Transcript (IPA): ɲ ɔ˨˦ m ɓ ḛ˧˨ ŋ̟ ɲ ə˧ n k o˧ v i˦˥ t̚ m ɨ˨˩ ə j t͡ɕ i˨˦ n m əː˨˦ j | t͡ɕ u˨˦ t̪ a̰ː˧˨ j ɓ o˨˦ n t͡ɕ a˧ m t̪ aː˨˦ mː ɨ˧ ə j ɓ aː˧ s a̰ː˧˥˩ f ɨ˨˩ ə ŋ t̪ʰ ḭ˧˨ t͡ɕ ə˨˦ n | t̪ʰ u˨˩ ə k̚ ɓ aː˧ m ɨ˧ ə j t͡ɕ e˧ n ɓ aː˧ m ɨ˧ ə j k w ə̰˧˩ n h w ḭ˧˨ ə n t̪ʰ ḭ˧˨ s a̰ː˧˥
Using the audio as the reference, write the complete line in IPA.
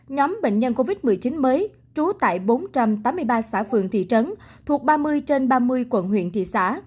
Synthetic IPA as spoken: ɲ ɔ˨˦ m ɓ ḛ˧˨ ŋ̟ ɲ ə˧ n k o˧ v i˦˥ t̚ m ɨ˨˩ ə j t͡ɕ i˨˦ n m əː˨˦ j | t͡ɕ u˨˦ t̪ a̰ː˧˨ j ɓ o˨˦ n t͡ɕ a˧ m t̪ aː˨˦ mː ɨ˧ ə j ɓ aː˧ s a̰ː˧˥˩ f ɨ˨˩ ə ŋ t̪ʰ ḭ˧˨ t͡ɕ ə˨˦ n | t̪ʰ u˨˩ ə k̚ ɓ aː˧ m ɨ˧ ə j t͡ɕ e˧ n ɓ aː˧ m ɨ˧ ə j k w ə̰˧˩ n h w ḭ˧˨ ə n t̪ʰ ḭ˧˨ s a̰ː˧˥